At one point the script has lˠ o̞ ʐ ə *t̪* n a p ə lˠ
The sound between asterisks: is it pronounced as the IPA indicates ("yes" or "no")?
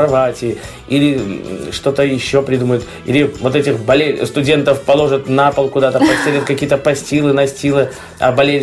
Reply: yes